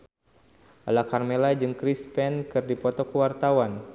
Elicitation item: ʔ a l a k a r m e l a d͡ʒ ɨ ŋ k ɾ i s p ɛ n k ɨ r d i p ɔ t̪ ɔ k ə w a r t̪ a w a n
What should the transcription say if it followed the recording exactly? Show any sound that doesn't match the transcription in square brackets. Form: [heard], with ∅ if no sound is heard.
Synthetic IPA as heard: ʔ a l a k a r m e l a d͡ʒ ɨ ŋ k ɾ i s p ɛ n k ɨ r d i p ɔ t̪ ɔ k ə w a r t̪ a w a n